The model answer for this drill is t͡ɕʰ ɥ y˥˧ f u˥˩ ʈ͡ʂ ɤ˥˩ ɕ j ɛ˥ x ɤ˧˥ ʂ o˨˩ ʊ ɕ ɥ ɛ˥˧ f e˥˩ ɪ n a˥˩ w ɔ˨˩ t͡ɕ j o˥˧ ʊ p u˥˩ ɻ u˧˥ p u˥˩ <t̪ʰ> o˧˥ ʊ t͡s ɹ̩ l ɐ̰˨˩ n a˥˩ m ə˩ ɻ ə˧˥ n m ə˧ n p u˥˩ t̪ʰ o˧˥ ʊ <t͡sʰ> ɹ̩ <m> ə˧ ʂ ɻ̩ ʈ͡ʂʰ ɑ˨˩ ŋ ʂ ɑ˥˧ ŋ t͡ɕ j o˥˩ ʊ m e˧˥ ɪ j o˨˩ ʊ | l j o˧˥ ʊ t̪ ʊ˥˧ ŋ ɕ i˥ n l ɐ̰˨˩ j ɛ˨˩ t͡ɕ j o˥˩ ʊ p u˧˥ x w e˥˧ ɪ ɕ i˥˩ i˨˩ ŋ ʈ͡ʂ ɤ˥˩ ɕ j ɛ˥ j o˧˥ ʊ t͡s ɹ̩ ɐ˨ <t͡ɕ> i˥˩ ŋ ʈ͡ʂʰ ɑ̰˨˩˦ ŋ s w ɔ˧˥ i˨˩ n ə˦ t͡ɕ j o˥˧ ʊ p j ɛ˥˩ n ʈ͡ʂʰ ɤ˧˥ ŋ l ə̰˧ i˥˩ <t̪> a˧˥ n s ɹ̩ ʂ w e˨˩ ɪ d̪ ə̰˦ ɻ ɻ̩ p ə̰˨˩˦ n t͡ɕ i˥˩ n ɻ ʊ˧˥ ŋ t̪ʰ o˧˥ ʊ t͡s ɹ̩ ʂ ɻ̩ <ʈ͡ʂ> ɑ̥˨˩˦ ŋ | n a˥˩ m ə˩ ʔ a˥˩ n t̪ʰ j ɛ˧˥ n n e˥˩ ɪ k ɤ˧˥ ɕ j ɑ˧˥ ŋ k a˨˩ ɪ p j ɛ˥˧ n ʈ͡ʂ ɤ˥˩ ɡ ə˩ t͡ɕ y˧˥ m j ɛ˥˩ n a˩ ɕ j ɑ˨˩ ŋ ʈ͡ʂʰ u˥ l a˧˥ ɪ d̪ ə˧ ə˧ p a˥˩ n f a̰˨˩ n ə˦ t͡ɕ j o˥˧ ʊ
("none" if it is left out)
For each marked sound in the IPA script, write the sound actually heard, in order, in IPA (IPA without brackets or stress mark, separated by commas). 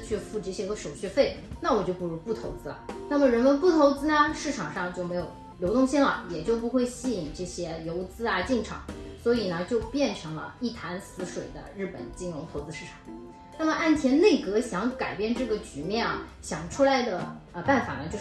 t̪ʰ, t͡s, n, t͡ɕ, t̪ʰ, ʈ͡ʂʰ